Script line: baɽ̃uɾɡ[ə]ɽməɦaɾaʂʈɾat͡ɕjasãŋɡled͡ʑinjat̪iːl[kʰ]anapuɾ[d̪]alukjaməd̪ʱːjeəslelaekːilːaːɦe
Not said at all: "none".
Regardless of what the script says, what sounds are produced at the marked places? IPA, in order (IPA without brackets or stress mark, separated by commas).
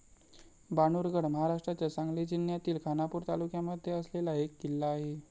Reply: ə, kʰ, t̪